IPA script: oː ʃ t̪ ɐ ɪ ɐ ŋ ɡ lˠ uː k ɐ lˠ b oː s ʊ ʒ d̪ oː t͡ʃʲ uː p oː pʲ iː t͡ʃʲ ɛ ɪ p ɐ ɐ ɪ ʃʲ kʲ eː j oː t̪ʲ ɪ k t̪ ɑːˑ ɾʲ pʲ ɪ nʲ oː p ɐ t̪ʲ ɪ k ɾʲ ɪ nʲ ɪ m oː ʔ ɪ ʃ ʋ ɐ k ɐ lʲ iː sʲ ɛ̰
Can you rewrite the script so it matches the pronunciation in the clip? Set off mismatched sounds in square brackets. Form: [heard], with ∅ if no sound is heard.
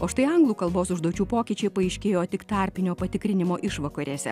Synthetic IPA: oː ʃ t̪ ɐ ɪ ɐ ŋ ɡ lˠ uː k ɐ lˠ b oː s ʊ ʒ d̪ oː t͡ʃʲ uː p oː [kʲ] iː t͡ʃʲ ɛ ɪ p ɐ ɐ ɪ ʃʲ kʲ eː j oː t̪ʲ ɪ k t̪ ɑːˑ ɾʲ pʲ ɪ nʲ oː p ɐ t̪ʲ ɪ k ɾʲ ɪ nʲ ɪ m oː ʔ ɪ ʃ ʋ ɐ k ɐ [ɾʲ] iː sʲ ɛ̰